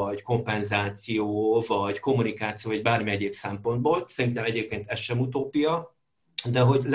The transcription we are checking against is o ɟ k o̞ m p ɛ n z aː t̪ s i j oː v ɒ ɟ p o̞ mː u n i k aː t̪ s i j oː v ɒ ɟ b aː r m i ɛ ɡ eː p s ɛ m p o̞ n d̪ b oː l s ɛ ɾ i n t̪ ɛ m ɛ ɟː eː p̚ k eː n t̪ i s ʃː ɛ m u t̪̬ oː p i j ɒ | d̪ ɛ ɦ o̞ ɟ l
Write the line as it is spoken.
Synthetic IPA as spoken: ɒ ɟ k o̞ m p ɛ n z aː t̪ s i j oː v ɒ ɟ k o̞ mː u n i k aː t̪ s i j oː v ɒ ɟ b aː r m i ɛ ɟ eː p s ɛ m p o̞ n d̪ b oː l s ɛ ɾ i n t̪ ɛ m ɛ ɟ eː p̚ k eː n t̪ ɛ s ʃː ɛ m u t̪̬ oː p i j ɒ | d̪ ɛ ɦ o̞ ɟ l